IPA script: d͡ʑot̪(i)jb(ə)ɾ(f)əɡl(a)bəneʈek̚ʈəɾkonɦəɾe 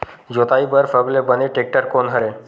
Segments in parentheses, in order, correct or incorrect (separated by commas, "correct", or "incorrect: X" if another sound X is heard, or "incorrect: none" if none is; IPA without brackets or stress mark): incorrect: a, correct, correct, incorrect: e